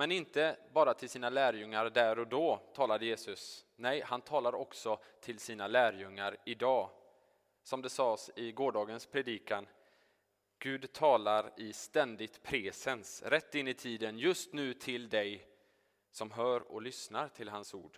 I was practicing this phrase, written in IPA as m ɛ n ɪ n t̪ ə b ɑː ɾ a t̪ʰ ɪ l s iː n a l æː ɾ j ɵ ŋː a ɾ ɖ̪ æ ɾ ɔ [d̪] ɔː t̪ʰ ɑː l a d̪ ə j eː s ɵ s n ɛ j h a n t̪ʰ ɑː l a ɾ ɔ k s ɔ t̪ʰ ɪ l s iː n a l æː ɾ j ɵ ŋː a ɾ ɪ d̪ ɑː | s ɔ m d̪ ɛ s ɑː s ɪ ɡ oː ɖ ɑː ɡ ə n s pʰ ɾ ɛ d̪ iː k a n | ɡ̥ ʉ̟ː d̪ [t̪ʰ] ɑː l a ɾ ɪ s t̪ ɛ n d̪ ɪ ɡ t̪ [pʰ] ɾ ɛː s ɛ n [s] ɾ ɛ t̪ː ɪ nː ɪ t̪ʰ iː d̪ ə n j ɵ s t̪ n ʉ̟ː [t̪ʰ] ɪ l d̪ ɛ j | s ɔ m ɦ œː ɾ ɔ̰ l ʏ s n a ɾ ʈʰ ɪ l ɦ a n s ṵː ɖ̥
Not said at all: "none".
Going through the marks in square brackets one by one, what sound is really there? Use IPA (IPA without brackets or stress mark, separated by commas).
d̪, t̪ʰ, pʰ, s, t̪ʰ